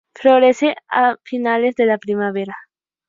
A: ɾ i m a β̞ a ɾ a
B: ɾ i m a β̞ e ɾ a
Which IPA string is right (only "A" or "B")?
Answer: B